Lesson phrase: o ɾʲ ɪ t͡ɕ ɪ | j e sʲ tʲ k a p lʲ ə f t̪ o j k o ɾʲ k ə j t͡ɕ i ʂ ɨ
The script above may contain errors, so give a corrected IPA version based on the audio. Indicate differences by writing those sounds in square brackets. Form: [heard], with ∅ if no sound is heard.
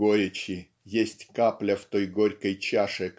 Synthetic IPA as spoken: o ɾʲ ɪ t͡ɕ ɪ | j e sʲ tʲ k a p lʲ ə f t̪ o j [ɡ] o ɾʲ k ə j t͡ɕ [a] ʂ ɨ